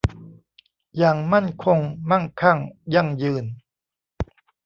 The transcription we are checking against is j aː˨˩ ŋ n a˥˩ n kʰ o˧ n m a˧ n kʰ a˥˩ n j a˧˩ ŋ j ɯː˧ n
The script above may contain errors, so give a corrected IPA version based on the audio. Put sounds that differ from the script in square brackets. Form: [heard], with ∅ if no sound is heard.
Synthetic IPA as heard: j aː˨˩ ŋ [m] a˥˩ n kʰ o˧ [ŋ] m [a˥˩] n kʰ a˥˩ [ŋ] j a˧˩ ŋ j ɯː˧ n